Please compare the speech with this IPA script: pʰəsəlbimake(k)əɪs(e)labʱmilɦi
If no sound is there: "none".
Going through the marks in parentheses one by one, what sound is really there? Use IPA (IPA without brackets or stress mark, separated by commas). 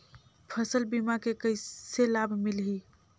k, e